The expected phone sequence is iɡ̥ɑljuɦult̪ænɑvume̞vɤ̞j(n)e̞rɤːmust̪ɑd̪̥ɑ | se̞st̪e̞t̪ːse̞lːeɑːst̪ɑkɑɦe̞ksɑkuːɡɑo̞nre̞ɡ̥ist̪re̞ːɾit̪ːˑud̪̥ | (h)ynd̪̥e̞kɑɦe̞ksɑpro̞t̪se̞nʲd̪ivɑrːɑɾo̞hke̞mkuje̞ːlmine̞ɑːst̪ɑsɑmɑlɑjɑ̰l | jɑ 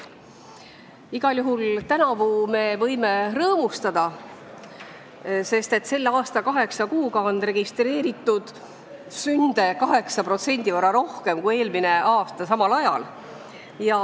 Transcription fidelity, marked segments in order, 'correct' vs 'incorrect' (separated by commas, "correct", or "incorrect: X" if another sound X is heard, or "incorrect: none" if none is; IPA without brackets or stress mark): incorrect: m, incorrect: s